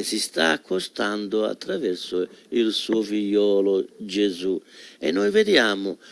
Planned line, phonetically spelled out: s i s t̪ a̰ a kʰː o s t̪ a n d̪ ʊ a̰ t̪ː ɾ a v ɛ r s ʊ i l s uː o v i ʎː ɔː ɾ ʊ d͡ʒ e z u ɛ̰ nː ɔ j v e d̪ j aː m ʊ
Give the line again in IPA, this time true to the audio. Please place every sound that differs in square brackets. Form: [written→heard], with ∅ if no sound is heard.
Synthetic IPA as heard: s i s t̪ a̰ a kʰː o s t̪ a n d̪ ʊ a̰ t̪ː ɾ a v ɛ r s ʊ i l s uː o [v→f] i ʎː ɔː [ɾ→l] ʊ d͡ʒ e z u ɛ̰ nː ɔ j v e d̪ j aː m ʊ